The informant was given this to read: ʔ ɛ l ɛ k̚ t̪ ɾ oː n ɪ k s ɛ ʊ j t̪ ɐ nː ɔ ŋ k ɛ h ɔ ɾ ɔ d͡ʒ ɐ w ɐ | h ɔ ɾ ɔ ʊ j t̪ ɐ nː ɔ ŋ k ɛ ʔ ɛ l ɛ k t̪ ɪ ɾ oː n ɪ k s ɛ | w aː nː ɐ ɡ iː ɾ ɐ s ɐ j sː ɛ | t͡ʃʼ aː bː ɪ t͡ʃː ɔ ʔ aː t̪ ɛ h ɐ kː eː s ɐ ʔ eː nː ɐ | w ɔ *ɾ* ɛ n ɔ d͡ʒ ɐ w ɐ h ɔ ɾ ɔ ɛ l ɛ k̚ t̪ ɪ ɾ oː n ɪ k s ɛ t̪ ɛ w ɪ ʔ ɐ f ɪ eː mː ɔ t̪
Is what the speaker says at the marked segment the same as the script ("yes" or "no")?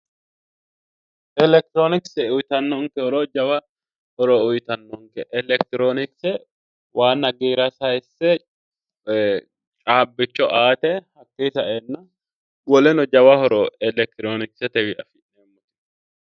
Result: no